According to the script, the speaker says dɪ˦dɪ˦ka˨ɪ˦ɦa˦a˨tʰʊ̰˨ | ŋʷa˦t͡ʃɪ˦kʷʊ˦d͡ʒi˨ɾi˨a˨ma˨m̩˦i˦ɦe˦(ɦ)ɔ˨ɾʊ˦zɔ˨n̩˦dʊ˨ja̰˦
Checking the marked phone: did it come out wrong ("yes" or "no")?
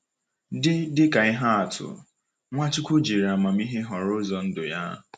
no